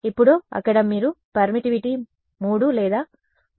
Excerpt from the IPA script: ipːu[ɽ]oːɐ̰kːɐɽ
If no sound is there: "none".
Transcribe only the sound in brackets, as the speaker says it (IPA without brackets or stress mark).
ɽ